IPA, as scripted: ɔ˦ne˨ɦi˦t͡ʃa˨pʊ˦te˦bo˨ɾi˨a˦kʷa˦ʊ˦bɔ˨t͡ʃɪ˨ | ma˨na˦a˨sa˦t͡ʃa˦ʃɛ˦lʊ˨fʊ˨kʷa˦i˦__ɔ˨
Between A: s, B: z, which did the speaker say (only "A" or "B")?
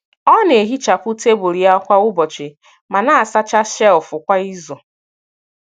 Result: B